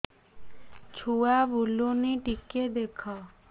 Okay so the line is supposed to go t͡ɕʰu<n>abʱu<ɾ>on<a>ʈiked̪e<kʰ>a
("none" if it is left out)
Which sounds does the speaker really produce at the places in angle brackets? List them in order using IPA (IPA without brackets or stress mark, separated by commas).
none, l, i, kʰ